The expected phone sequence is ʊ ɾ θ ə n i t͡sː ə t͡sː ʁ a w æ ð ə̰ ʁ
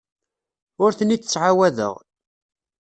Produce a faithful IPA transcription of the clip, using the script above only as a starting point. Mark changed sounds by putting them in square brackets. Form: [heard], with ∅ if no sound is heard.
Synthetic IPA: ʊ ɾ θ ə n i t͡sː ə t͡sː [ʕ] a w æ ð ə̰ ʁ

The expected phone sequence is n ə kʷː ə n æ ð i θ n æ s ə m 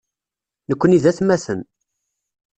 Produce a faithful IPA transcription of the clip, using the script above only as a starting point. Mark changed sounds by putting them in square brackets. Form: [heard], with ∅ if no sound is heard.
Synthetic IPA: n ə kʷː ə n [i] ð [æ] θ [m] æ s ə [n]

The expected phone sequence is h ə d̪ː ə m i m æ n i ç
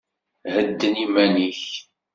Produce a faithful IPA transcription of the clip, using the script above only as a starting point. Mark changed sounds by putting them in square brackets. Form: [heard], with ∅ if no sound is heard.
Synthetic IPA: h ə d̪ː ə [n] i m æ n i ç

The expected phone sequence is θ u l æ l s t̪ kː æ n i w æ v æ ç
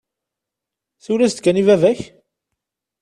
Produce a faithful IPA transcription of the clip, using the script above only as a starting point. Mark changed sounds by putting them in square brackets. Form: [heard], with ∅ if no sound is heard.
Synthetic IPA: θ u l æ [∅] s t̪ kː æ n i [v] æ v æ ç

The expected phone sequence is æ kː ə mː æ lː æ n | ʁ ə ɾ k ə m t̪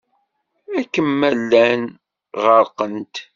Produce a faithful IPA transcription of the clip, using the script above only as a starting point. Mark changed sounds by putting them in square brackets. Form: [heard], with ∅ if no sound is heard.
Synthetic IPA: æ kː ə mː æ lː æ n | ʁ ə ɾ [q] ə [n] t̪

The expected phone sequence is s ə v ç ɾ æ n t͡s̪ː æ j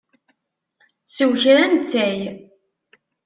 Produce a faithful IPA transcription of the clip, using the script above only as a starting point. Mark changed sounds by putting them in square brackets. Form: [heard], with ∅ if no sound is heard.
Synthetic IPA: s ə [w] ç ɾ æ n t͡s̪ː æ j

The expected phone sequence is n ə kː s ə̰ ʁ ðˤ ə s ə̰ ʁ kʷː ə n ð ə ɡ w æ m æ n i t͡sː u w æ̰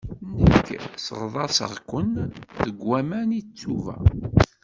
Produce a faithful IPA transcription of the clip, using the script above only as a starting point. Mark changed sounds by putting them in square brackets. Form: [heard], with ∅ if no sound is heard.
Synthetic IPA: n ə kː s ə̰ ʁ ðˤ [ɑ] s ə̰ ʁ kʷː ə n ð ə ɡ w æ m æ n i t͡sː u [v] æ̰

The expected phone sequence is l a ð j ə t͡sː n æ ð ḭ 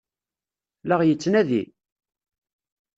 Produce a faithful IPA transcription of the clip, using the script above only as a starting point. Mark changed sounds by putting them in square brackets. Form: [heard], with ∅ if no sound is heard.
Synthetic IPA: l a [ʁ] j ə t͡sː n æ ð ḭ

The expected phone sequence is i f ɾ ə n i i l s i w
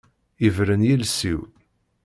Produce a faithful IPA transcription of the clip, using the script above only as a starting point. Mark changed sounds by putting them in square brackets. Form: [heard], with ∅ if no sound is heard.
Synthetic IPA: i [v] ɾ ə n [j] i l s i w

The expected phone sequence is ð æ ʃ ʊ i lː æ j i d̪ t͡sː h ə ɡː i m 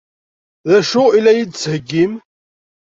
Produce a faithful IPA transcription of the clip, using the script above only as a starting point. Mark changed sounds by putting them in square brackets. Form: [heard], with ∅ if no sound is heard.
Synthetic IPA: ð æ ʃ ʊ i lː æ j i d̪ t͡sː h ə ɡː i m

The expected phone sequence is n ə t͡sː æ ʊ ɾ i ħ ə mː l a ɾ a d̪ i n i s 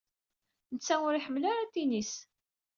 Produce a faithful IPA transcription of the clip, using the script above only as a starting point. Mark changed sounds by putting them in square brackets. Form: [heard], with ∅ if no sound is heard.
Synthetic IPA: n ə t͡sː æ ʊ ɾ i ħ ə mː l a ɾ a [t̪] i n i s

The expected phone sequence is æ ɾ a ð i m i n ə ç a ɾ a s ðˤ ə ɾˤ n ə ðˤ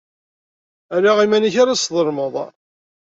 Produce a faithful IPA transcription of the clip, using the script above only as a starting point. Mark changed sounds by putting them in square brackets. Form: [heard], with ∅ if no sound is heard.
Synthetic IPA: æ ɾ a [ʁ] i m [æ] n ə ç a ɾ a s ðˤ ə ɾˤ [m] ə ðˤ

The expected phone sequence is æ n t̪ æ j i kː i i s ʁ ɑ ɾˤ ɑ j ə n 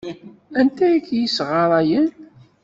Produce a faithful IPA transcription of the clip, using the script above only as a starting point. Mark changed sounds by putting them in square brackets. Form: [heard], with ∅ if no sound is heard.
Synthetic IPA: æ n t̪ æ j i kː [j] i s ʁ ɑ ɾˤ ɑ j ə n

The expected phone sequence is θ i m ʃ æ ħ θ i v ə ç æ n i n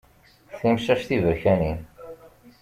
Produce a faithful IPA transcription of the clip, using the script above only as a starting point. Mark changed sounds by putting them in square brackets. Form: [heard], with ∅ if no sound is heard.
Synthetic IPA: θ i m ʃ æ [ʃ] θ i v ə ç æ n i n

